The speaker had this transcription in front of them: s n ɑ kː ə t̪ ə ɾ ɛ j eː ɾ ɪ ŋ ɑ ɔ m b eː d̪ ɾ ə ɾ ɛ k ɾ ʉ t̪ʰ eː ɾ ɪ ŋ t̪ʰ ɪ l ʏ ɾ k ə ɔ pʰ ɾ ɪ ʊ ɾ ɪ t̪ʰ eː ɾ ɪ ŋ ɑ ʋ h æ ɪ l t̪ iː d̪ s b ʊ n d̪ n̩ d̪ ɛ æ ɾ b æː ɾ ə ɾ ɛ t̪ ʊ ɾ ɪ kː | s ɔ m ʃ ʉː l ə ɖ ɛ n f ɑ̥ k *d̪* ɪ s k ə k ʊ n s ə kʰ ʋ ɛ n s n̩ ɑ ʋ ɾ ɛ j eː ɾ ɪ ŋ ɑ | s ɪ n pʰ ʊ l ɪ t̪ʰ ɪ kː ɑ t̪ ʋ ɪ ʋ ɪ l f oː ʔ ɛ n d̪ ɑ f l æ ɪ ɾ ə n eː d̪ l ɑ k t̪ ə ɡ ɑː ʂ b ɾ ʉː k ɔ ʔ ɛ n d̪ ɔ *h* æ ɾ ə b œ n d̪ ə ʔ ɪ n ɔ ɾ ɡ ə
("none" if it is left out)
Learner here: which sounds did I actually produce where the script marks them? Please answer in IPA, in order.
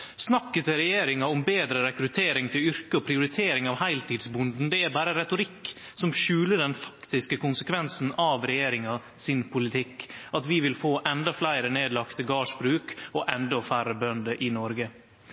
t̪, f

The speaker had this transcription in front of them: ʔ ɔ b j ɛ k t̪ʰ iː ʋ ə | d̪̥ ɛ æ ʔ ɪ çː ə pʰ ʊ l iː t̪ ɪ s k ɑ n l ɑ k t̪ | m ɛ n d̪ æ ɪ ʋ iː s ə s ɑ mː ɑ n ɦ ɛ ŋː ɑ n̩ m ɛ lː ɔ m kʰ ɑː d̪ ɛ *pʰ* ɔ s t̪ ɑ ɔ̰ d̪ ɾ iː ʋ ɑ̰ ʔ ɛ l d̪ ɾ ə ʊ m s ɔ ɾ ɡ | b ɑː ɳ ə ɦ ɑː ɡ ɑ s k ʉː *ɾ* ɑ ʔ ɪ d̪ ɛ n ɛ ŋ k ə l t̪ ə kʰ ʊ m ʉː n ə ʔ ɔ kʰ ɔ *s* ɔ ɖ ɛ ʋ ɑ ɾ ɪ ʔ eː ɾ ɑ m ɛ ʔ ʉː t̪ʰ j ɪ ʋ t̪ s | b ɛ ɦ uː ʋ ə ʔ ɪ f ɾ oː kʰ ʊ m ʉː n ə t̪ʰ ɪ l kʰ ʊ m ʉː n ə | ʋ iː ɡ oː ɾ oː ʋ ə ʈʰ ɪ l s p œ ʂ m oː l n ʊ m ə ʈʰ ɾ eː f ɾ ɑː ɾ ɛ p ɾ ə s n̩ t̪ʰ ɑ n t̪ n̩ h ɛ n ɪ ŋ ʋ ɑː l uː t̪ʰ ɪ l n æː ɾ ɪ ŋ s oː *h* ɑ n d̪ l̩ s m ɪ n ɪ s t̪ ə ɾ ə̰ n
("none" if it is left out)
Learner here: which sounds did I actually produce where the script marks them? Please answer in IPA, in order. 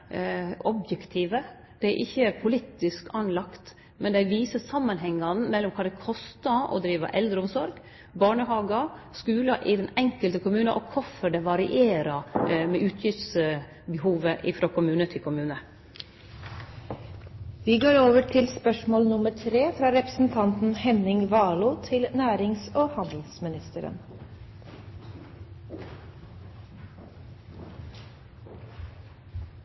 kʰ, l, f, h

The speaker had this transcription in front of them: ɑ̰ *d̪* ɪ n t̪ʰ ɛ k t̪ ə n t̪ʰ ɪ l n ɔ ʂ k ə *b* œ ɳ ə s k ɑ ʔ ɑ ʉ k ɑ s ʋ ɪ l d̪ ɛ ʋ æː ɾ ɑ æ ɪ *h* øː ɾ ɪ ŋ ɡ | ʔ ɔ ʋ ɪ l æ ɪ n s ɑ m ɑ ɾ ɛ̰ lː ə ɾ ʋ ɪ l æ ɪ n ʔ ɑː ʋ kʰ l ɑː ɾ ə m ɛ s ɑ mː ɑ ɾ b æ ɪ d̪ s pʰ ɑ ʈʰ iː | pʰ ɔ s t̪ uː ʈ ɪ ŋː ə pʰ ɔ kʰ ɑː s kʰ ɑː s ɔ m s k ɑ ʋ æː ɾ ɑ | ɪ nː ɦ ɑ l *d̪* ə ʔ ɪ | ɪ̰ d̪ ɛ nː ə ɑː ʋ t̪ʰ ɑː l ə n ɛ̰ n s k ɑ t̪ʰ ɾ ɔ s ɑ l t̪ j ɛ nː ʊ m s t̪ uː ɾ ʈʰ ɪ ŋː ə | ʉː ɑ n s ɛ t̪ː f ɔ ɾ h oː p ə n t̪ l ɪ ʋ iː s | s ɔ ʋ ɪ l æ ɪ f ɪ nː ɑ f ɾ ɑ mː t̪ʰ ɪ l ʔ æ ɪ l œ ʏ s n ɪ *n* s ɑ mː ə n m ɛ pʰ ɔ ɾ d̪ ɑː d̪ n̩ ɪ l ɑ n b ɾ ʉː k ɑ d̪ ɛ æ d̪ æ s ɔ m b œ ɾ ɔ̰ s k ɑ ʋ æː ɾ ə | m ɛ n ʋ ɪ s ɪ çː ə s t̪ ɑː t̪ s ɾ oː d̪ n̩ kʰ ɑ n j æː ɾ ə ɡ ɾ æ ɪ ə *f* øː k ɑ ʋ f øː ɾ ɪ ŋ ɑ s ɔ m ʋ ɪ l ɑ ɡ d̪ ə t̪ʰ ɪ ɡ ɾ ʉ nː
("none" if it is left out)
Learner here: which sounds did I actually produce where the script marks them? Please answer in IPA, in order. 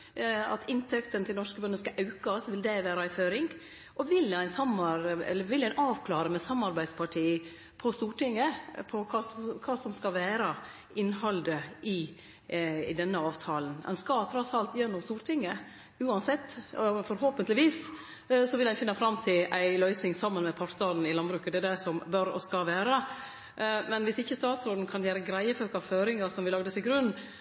t̪, b, f, d̪, ŋ, f

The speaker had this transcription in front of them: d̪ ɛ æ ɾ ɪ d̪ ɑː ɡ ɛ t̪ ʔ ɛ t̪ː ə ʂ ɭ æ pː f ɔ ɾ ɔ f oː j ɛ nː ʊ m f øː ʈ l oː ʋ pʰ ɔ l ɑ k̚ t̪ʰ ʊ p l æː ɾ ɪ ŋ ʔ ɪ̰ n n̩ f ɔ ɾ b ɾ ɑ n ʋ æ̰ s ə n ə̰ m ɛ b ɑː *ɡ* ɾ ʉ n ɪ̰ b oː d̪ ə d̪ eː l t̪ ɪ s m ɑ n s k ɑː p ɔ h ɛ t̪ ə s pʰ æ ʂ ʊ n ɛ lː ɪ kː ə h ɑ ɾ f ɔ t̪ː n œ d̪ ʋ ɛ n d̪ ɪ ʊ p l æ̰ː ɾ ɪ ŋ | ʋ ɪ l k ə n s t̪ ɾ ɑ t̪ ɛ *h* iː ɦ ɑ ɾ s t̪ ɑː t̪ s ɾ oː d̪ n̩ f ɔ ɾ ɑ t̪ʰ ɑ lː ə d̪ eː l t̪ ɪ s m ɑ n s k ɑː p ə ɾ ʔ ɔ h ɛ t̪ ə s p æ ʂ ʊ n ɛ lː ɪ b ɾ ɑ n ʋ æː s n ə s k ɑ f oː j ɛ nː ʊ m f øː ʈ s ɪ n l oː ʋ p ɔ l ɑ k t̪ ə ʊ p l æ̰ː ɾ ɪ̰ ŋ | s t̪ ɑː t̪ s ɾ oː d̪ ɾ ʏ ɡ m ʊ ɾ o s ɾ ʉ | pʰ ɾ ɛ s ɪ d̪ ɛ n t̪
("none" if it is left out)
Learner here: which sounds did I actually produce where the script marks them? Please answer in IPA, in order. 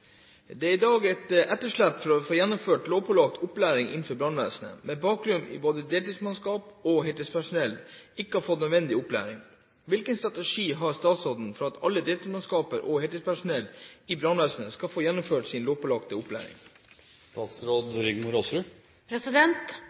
k, ʂ

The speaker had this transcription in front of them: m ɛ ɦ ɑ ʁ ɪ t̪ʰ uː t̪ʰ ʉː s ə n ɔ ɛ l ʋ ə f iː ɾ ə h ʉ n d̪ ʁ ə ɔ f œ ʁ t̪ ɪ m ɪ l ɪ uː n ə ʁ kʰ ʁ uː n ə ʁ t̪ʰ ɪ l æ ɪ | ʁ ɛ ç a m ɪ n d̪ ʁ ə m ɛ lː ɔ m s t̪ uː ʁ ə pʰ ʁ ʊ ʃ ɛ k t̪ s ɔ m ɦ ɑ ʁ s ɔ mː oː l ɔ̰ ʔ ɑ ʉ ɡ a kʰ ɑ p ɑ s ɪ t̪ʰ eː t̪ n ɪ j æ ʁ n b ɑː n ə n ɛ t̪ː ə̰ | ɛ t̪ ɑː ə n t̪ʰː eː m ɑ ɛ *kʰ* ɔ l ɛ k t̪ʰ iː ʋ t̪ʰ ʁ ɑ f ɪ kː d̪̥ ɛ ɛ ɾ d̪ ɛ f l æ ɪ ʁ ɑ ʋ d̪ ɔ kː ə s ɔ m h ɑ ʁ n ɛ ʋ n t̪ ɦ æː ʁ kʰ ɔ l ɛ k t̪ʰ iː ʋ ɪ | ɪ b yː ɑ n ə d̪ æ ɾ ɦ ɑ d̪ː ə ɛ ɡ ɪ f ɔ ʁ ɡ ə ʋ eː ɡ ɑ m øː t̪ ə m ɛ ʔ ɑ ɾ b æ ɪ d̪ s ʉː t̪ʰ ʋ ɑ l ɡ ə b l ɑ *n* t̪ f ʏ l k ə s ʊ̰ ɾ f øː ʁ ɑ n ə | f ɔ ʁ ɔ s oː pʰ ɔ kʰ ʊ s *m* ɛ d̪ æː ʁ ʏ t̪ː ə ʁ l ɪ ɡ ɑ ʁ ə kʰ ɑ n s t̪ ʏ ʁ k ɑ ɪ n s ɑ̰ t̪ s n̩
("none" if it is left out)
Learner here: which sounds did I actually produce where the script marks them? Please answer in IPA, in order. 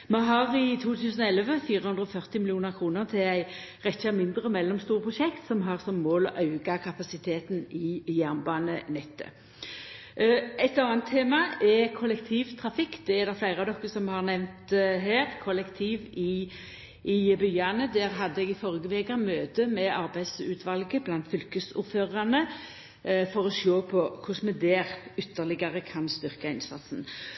kʰ, n, m

